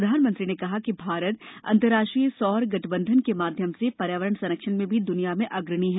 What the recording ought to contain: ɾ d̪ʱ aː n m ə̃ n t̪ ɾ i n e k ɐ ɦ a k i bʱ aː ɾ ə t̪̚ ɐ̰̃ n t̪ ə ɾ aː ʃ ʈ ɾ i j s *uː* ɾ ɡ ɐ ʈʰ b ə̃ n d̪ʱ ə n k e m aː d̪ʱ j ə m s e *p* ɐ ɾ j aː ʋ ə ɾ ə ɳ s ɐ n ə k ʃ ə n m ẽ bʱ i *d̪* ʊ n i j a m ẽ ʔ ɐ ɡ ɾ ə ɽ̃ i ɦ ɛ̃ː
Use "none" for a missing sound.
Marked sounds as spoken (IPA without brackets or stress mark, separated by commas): ɔː, p, d̪